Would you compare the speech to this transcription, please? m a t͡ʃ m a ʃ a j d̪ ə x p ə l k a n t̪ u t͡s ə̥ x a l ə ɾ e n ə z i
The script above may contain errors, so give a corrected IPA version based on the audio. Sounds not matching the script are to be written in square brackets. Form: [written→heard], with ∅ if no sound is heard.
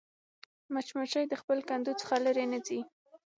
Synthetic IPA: m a t͡ʃ m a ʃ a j d̪ ə x p ə l k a n [t̪→d̪] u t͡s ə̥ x a l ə ɾ e n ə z i